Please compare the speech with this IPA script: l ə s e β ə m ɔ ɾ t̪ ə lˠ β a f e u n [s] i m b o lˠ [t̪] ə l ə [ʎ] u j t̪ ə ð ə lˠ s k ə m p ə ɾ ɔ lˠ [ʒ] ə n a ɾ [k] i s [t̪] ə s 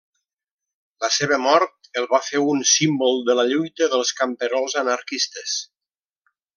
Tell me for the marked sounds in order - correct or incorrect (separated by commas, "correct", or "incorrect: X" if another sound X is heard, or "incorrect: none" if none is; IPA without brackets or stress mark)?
correct, incorrect: d̪, correct, incorrect: z, correct, correct